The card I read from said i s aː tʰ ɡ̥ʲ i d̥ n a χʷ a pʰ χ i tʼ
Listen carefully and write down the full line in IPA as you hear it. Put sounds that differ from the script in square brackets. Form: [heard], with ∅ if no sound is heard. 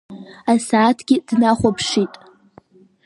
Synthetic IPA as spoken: [a] s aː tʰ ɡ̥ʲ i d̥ n a χʷ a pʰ [ʂ] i tʼ